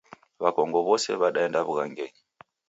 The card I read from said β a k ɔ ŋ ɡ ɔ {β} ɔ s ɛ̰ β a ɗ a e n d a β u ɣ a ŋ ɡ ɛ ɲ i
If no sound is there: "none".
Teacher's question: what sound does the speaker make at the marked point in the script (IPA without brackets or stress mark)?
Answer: β